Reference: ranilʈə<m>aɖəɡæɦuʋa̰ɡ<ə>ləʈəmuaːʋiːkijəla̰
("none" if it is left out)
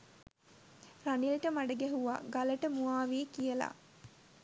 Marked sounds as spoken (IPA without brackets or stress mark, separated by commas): m, a